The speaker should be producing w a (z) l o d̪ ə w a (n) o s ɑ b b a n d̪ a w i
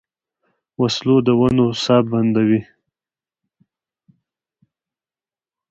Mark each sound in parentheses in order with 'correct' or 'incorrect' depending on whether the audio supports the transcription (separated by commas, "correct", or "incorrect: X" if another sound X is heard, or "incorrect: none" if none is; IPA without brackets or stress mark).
incorrect: s, correct